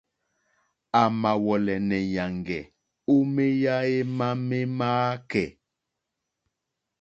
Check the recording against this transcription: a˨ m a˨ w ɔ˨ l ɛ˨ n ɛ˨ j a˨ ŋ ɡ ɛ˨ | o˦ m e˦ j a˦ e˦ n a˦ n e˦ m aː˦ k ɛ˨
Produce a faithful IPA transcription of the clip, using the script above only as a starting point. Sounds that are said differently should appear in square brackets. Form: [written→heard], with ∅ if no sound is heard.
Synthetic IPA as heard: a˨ m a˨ w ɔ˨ l ɛ˨ n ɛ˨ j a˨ ŋ ɡ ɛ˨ | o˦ m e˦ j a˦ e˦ [n→m] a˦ [n→m] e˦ m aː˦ k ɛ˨